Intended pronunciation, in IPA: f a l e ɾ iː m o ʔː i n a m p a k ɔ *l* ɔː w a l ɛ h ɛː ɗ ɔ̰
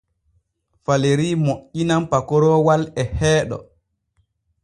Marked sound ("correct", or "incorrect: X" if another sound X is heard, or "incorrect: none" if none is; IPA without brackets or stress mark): incorrect: ɾ